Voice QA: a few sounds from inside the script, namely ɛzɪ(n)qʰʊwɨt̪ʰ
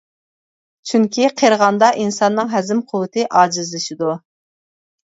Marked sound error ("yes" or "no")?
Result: yes